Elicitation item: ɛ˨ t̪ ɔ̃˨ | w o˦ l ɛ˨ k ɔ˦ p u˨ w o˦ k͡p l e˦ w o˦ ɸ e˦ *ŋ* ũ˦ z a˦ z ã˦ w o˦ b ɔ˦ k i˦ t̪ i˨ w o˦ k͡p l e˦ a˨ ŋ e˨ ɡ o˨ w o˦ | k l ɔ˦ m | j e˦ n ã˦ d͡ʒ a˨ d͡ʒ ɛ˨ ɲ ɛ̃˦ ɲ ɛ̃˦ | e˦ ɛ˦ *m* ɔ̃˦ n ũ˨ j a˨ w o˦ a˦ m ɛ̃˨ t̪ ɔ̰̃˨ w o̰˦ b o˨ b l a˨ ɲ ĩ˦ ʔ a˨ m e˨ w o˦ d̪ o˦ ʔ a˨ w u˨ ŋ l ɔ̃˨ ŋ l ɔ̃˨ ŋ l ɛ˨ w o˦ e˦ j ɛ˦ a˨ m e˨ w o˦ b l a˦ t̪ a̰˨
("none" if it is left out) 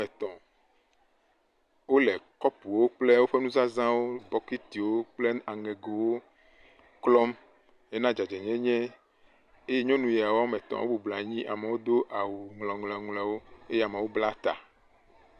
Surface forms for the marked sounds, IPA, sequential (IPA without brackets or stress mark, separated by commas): n, ɲ